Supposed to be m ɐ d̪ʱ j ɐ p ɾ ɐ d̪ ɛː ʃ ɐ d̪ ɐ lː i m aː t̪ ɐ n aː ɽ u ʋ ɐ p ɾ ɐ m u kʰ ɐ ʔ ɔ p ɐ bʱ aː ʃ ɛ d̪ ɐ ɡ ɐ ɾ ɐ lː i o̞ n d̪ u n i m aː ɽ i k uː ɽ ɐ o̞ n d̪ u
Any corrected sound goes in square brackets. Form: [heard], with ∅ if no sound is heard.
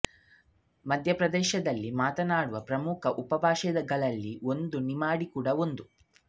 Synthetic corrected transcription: m ɐ d̪ʱ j ɐ p ɾ ɐ d̪ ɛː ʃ ɐ d̪ ɐ lː i m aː t̪ ɐ n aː ɽ u ʋ ɐ p ɾ ɐ m u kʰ ɐ ʔ [u] p ɐ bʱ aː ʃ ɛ d̪ ɐ ɡ ɐ [ɭ] ɐ lː i o̞ n d̪ u n i m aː ɽ i k uː ɽ ɐ o̞ n d̪ u